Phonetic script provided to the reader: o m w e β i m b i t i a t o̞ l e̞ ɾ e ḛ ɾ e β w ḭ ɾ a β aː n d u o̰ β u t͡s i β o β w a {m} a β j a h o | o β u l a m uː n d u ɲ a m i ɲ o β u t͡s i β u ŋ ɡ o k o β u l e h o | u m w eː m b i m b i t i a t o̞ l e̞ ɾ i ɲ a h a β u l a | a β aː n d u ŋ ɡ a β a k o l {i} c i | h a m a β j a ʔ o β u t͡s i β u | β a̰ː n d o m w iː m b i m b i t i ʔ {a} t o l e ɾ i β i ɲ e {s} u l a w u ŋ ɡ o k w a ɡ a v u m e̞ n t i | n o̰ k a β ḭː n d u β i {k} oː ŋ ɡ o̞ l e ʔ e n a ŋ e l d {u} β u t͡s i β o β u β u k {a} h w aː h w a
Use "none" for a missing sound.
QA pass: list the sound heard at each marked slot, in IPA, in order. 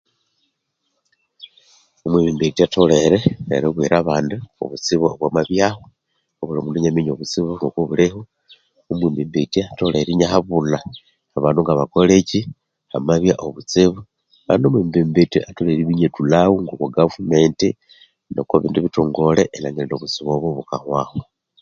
m, e, a, t, t, o, a

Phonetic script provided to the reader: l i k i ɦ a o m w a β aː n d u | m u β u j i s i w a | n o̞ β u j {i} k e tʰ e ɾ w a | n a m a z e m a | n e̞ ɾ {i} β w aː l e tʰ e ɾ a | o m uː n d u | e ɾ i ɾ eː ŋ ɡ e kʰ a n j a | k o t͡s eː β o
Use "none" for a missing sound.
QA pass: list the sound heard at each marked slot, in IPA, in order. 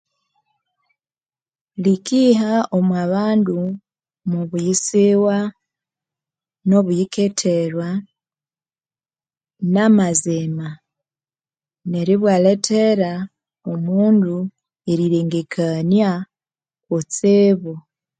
i, i

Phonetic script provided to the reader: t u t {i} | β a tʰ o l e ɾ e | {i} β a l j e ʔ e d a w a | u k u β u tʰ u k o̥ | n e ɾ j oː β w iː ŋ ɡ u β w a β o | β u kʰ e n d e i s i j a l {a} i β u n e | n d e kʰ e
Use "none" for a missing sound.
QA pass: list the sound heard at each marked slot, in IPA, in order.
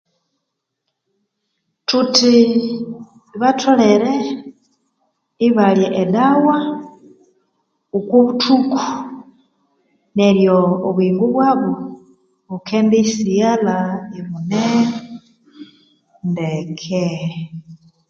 i, i, a

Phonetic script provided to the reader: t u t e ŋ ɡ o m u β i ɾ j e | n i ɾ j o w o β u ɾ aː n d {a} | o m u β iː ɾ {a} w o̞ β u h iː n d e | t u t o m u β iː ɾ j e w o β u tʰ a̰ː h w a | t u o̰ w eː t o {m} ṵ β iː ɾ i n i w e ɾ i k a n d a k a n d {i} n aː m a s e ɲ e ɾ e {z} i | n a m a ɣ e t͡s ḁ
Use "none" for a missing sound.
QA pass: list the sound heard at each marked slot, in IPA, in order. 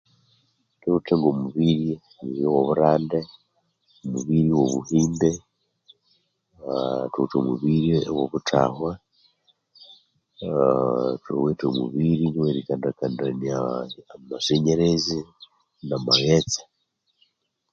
e, i, m, a, z

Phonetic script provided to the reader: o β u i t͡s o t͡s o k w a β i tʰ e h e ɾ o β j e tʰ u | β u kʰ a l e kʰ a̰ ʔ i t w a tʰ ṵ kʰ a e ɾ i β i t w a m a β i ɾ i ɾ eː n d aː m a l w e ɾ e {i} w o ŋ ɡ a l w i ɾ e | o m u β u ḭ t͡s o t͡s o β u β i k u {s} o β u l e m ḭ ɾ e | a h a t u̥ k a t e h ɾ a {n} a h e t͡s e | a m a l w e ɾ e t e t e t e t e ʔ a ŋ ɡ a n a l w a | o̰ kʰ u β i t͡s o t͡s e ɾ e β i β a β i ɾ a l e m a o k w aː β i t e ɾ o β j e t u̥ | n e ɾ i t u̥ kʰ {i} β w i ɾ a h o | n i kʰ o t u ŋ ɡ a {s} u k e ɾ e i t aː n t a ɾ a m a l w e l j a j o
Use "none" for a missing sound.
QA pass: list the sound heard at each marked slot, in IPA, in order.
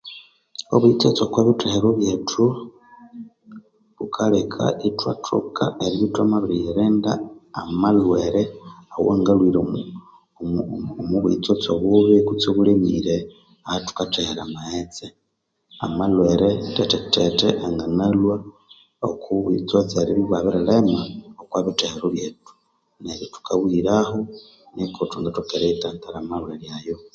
a, t͡s, m, a, t

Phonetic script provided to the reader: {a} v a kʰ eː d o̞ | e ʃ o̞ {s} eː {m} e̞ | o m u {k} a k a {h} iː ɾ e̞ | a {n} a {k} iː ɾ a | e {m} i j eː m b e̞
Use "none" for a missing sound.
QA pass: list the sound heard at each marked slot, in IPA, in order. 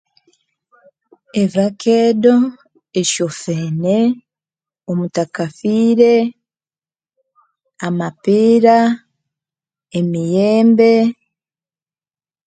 e, f, n, t, f, m, p, m

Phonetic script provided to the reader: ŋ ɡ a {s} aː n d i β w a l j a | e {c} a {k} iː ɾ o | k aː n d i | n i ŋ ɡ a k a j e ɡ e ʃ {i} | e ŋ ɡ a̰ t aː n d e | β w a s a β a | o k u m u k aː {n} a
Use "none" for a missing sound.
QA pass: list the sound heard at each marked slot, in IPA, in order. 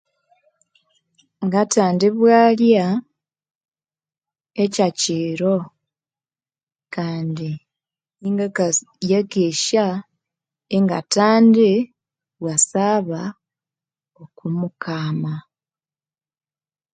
t, c, c, a, m

